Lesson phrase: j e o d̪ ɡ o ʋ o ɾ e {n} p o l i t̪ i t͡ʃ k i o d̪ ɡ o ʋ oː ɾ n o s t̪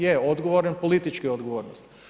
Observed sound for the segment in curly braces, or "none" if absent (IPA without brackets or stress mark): n